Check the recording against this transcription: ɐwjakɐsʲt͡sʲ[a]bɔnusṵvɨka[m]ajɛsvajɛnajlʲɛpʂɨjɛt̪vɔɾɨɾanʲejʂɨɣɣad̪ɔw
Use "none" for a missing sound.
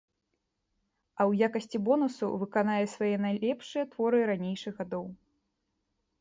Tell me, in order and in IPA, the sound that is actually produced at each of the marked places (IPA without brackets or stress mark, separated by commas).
i, n